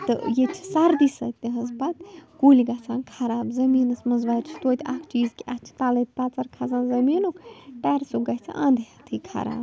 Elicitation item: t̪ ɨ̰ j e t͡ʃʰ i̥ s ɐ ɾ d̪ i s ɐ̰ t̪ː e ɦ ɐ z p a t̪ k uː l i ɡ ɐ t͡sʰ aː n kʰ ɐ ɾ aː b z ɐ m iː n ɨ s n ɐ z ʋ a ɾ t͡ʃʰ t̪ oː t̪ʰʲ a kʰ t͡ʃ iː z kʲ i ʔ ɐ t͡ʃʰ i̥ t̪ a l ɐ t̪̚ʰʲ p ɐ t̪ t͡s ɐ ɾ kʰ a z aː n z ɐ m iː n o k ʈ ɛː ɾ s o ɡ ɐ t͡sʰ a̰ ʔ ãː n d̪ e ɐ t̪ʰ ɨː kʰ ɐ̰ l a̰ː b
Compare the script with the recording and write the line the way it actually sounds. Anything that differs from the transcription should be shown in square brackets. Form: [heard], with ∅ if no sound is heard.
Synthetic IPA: t̪ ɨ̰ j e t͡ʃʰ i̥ s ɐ ɾ d̪ i s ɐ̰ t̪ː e ɦ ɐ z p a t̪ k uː l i ɡ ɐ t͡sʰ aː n kʰ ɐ ɾ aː b z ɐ m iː n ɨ s [m] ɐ z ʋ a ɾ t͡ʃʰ t̪ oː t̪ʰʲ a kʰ t͡ʃ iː z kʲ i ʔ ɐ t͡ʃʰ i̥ t̪ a l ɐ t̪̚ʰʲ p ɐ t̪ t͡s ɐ ɾ kʰ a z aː n z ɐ m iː n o k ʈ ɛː ɾ s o ɡ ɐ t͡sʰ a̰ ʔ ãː n d̪ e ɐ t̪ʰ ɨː kʰ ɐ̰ [ɾ] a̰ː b